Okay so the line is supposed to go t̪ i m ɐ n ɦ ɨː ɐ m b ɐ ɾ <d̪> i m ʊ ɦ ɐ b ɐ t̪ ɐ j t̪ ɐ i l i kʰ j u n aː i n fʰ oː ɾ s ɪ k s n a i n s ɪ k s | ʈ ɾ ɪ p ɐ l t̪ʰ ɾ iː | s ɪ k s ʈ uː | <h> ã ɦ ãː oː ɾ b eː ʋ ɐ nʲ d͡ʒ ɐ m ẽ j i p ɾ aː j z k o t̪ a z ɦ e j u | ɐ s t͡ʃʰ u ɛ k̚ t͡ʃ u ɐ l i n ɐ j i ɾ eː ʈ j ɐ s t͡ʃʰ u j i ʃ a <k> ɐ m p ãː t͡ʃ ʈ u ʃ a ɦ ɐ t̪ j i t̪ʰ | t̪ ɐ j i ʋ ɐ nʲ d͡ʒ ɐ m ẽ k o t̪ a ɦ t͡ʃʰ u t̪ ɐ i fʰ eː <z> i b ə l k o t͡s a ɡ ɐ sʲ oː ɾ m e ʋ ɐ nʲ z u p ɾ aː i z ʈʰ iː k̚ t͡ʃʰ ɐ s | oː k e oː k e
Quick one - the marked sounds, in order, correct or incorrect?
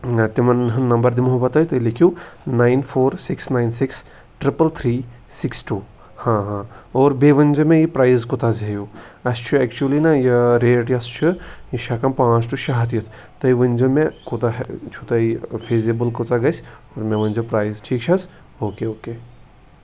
correct, correct, correct, correct

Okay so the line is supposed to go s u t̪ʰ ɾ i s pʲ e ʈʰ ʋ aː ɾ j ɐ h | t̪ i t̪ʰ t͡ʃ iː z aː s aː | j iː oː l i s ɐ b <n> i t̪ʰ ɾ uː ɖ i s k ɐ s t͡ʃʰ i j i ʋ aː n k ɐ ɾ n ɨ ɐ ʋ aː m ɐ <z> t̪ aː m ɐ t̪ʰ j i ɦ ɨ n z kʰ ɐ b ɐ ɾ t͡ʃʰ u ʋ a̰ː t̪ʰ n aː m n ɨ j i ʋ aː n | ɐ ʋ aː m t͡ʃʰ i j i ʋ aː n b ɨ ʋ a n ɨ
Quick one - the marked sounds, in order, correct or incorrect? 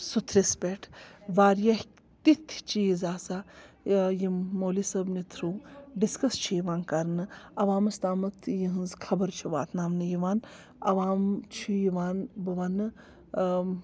correct, incorrect

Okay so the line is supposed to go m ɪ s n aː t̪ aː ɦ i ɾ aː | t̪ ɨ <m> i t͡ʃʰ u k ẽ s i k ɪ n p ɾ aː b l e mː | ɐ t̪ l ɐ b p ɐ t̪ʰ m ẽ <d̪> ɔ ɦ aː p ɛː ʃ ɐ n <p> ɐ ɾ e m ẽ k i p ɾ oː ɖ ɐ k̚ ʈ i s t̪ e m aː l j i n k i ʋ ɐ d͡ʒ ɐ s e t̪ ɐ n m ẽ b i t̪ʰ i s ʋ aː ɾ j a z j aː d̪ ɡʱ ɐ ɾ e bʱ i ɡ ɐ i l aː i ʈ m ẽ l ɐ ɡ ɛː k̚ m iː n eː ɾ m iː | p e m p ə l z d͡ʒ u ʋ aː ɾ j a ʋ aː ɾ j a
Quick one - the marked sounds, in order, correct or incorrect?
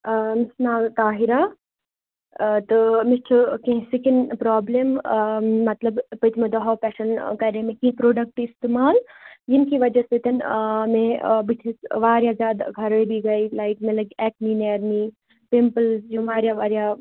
correct, correct, incorrect

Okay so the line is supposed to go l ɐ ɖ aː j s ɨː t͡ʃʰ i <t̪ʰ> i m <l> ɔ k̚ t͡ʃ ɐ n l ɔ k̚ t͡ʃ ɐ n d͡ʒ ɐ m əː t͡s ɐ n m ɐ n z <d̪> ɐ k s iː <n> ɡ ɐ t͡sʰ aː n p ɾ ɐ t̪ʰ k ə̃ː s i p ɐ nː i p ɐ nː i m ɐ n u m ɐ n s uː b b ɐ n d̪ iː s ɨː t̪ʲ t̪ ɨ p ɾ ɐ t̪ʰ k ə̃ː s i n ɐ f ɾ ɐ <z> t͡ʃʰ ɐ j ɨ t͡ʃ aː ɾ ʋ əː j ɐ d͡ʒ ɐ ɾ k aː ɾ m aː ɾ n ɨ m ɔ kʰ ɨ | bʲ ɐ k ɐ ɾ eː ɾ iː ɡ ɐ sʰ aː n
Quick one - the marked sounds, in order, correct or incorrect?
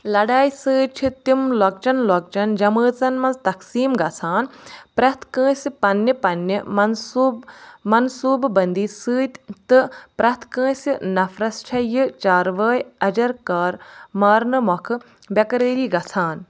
incorrect, correct, incorrect, incorrect, incorrect

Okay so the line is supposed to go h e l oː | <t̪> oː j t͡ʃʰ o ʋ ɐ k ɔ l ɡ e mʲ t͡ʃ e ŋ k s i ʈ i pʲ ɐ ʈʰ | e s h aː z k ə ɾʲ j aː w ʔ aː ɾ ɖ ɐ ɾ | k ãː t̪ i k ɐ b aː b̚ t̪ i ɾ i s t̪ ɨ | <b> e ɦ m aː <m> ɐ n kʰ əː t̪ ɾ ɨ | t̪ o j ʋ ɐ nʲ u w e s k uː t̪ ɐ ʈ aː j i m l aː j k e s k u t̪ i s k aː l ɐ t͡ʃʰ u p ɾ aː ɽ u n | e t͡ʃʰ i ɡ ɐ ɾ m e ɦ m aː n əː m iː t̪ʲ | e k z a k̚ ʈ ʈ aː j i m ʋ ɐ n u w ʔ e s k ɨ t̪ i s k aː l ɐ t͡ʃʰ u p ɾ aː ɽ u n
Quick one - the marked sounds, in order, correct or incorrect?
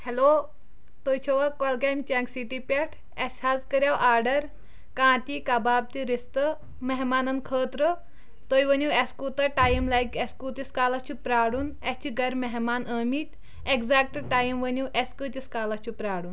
correct, incorrect, incorrect

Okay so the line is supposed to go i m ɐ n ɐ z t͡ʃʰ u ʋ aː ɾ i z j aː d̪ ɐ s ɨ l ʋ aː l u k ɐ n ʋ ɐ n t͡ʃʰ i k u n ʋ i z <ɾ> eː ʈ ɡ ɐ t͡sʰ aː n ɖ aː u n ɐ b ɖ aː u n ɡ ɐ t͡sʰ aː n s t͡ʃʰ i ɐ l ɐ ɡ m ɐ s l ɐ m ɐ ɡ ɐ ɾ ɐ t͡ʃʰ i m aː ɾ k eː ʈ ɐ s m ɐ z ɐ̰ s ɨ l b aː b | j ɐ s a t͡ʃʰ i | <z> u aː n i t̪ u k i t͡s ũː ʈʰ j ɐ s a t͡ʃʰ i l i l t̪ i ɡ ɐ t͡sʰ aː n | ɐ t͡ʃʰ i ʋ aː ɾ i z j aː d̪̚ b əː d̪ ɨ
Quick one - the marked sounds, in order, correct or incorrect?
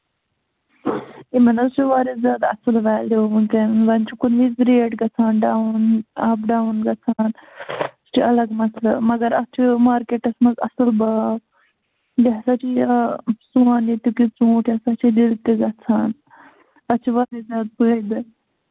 correct, incorrect

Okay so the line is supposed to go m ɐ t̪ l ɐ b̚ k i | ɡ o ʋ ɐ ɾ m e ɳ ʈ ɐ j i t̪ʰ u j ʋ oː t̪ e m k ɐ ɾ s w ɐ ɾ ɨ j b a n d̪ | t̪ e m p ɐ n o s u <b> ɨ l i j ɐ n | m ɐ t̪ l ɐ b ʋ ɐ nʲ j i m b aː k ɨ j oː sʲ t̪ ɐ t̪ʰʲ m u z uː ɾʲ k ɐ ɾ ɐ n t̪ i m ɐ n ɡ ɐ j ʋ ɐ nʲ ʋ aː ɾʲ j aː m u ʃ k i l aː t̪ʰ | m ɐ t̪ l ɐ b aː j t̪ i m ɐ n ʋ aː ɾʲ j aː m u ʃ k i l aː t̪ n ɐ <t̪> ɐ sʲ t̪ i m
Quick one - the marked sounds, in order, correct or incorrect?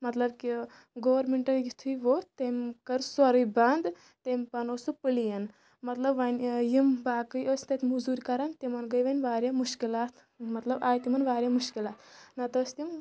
incorrect, correct

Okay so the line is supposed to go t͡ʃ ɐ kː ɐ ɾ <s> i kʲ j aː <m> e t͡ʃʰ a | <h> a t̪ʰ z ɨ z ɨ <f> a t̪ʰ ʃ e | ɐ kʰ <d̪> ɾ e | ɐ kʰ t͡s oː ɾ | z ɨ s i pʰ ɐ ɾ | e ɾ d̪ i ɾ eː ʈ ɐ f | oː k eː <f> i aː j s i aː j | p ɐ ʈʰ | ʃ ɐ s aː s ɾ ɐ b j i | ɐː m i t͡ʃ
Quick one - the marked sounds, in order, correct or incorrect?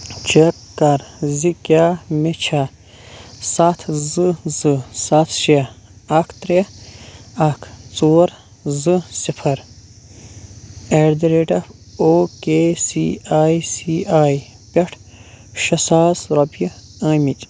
incorrect, correct, incorrect, incorrect, incorrect, incorrect

